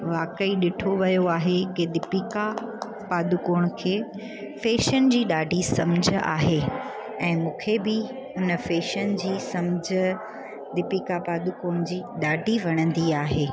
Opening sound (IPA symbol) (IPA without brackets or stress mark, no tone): ʋ